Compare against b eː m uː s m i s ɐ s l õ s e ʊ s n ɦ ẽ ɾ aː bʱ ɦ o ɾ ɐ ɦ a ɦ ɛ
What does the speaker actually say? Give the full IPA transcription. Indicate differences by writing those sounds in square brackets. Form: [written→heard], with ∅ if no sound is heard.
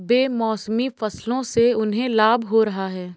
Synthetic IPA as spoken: b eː m [uː→ɔː] s m i [s→f] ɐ s l õ s e ʊ [s→∅] n ɦ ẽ [ɾ→l] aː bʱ ɦ o ɾ ɐ ɦ a ɦ [ɛ→ɛː]